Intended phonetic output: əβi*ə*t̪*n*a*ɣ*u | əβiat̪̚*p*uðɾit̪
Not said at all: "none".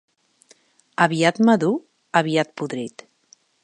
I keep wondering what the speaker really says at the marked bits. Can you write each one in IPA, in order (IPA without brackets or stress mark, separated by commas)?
a, m, ð, p